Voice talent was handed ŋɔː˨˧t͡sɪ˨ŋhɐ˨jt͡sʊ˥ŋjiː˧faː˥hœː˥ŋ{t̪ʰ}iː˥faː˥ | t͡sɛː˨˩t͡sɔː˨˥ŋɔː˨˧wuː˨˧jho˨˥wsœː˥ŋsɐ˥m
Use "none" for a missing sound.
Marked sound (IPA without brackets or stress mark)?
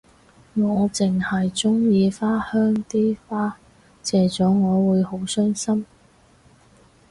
t̪